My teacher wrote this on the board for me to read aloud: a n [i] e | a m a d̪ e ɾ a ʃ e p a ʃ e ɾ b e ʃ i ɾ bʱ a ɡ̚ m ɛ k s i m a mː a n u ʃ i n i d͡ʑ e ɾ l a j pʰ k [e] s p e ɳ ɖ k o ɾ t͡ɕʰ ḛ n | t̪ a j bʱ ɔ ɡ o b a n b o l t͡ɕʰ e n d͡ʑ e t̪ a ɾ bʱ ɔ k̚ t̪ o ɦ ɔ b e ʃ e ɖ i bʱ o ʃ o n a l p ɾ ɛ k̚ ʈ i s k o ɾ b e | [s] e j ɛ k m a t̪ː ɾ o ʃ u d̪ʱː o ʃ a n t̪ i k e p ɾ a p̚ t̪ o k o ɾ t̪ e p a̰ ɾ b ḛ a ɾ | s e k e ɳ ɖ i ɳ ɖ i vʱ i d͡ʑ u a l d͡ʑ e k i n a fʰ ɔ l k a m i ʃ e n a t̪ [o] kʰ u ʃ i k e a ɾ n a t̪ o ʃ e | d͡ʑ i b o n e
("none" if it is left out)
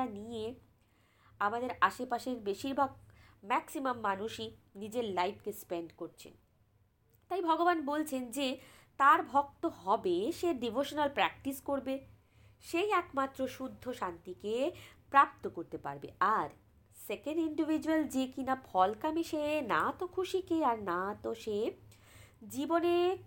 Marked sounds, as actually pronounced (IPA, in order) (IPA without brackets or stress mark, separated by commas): i, e, ʃ, o